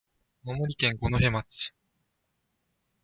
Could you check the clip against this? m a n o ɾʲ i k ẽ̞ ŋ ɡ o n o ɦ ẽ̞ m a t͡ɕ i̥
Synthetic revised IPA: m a m o ɾʲ i k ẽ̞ ŋ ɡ o n o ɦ e̞ m a t͡ɕ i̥